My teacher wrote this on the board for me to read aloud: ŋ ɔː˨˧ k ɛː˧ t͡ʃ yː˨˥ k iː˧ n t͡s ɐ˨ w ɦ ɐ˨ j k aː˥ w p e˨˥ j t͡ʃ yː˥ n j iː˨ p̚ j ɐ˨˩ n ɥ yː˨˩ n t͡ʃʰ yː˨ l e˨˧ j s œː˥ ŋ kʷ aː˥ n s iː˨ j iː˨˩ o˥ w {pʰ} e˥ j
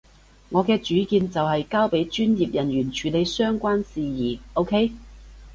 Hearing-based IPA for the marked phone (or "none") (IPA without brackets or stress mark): kʰ